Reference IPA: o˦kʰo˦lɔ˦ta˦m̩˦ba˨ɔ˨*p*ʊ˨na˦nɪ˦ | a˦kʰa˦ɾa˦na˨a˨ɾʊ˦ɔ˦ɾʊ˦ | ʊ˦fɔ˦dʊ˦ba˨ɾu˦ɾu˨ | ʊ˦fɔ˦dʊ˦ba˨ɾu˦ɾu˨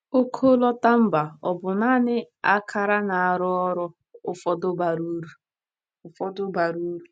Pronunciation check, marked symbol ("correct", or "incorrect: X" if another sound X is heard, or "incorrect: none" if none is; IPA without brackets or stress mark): incorrect: b